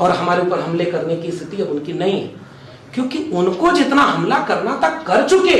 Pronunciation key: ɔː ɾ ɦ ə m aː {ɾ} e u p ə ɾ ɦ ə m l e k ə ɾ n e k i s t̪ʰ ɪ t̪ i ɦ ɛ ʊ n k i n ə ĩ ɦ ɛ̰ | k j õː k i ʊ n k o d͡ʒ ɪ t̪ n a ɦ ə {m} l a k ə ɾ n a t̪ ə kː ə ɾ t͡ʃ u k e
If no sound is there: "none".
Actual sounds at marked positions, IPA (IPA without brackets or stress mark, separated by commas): ɾ, m